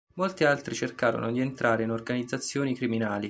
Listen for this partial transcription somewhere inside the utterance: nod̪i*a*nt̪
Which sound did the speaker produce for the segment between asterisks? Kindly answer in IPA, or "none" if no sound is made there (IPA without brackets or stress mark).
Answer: e